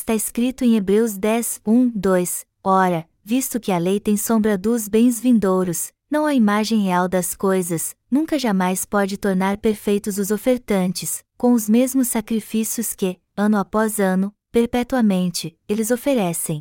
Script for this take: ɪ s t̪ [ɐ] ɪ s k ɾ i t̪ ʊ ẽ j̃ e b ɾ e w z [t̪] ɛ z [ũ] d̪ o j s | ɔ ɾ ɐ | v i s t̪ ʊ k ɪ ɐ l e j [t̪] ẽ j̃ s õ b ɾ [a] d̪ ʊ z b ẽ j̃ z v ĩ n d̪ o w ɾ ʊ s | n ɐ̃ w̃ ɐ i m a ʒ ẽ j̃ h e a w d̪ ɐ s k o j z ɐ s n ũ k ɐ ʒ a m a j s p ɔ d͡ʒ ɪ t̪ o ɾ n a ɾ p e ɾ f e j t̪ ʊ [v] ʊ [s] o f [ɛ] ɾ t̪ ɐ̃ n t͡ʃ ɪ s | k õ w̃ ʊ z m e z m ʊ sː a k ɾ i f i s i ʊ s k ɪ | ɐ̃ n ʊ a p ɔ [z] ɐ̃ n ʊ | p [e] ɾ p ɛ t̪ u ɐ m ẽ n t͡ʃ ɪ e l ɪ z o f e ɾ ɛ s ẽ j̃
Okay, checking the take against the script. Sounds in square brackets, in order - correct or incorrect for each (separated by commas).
incorrect, incorrect, correct, correct, incorrect, incorrect, incorrect, incorrect, correct, correct